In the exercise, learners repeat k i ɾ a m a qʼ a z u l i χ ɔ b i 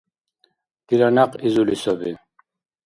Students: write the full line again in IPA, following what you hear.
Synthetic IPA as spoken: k i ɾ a n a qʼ i z u l i s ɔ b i